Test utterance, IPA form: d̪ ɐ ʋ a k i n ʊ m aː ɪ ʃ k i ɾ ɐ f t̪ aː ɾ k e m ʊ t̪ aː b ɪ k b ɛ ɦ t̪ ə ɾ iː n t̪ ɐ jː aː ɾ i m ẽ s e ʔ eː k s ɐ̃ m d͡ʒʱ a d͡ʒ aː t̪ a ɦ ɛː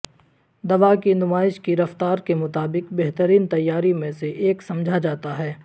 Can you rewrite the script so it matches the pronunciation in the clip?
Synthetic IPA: d̪ ɐ ʋ a k i n ʊ m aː ɪ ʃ k i ɾ ɐ f t̪ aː ɾ k e m ʊ t̪ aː b ɪ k b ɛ ɦ t̪ ə ɾ iː n t̪ ɐ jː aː ɾ i m ẽ s e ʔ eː k s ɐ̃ m d͡ʒʱ a d͡ʒ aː t̪ a ɦ ɛː